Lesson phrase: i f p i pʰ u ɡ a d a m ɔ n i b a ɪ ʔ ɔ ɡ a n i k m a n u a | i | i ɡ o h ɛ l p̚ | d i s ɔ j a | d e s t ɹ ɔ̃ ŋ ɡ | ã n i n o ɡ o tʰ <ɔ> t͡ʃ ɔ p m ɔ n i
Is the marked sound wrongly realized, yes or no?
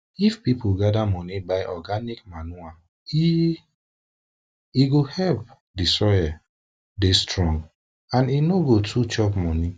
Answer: yes